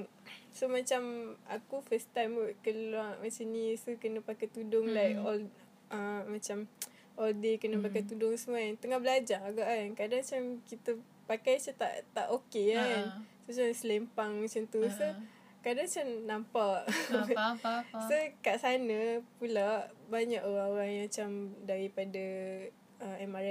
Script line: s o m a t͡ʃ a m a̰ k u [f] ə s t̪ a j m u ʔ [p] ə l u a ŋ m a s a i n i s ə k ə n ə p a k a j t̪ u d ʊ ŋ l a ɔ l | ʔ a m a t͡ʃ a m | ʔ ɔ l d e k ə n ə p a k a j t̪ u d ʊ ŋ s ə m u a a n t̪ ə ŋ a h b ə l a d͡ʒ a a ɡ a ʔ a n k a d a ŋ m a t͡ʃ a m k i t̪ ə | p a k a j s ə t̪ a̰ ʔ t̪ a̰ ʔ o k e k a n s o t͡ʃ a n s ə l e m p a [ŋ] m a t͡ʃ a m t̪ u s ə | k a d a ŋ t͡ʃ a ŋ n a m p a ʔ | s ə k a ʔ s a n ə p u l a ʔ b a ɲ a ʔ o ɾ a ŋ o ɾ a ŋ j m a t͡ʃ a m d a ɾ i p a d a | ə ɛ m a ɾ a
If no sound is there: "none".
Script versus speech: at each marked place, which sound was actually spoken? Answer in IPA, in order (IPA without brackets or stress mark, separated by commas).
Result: f, k, ŋ